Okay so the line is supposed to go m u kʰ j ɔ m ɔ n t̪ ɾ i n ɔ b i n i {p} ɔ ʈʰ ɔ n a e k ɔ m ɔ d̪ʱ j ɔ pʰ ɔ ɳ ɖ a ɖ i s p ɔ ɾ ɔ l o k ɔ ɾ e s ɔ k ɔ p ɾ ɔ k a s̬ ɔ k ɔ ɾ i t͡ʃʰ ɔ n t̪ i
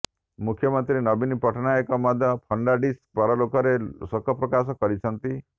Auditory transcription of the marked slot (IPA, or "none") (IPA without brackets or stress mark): p